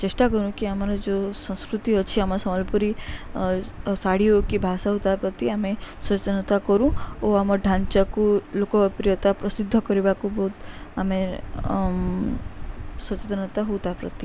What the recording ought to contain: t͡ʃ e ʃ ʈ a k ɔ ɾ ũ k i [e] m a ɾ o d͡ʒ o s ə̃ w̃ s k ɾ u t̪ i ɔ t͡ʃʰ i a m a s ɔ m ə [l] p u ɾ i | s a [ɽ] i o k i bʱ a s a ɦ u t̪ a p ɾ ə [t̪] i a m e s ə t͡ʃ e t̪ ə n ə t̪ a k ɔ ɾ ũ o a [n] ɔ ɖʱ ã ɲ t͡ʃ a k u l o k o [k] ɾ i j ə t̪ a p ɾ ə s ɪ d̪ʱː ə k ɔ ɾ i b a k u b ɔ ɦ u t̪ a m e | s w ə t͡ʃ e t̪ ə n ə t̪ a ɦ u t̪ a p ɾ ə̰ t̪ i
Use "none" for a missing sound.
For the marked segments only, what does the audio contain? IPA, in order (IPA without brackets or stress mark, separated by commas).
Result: a, l, ɽ, t̪, m, p